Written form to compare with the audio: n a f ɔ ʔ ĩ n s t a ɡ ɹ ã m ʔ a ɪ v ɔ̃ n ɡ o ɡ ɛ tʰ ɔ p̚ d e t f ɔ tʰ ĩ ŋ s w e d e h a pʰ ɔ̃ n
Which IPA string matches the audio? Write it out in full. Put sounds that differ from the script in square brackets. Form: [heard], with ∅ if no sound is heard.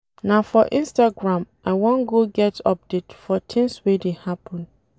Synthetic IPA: n a f ɔ ʔ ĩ n s t a ɡ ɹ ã m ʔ a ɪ [w] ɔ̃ n ɡ o ɡ ɛ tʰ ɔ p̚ d e t f ɔ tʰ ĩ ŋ s w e d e h a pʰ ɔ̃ n